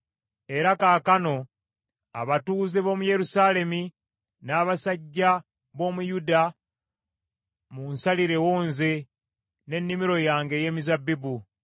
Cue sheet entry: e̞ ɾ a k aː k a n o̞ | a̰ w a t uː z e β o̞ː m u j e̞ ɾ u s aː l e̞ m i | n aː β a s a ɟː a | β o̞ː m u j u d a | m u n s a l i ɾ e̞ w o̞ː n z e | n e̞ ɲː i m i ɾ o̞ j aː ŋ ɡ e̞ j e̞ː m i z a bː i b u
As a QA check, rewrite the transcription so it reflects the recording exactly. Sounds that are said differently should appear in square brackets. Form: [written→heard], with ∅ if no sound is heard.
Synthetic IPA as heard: e̞ ɾ a k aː k a n o̞ | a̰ [w→β] a t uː z e β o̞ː m u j e̞ ɾ u s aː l e̞ m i | n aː β a s a ɟː a | β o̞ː m u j u d a | m u n s a l i ɾ e̞ w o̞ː n z e | n e̞ [ɲː→nː] i m i ɾ o̞ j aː ŋ ɡ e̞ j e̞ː m i z a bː i b u